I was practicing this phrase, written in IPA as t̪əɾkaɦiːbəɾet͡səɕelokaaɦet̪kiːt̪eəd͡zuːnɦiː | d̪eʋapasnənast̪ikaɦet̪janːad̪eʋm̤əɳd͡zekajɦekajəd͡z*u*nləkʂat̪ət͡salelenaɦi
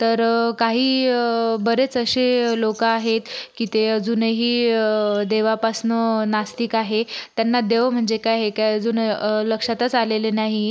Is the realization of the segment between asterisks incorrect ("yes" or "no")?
yes